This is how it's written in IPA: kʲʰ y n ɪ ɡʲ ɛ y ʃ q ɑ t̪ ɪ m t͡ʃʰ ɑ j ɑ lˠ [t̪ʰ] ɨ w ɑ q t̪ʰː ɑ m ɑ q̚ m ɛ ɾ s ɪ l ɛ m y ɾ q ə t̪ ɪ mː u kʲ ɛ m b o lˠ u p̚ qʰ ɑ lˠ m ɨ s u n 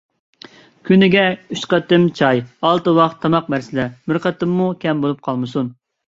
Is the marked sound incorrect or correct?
incorrect